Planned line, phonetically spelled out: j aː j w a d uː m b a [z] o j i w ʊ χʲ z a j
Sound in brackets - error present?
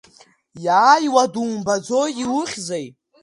yes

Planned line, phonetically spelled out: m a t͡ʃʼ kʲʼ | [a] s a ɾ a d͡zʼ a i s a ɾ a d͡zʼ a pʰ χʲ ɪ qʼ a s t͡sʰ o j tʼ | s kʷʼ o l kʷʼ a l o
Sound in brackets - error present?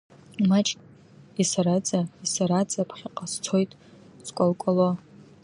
yes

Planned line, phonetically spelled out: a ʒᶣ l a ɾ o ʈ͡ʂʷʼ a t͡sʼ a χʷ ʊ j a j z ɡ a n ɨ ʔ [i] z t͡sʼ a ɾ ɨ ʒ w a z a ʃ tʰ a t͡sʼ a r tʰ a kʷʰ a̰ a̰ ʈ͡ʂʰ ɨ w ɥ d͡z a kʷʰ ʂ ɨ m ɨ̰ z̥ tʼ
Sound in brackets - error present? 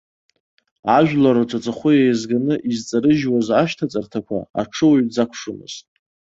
no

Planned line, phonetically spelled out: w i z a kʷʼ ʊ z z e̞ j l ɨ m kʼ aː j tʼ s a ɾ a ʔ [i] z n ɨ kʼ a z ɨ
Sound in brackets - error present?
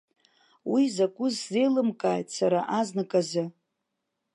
yes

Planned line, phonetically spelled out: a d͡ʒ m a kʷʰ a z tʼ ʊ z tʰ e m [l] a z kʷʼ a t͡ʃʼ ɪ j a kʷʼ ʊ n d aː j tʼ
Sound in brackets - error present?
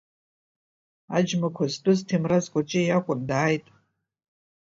yes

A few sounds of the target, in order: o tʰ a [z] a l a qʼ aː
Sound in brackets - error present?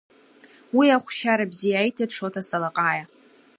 yes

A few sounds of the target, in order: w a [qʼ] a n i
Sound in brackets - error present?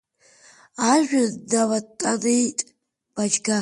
yes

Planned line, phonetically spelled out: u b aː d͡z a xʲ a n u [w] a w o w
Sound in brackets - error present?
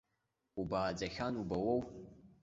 yes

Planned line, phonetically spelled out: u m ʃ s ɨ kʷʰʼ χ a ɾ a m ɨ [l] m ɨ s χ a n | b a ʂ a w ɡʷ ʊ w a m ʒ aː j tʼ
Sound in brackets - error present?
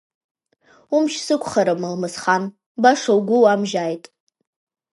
no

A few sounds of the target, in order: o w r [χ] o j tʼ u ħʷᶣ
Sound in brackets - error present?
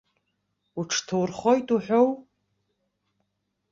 no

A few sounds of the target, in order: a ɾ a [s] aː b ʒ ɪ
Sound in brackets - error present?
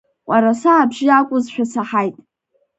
no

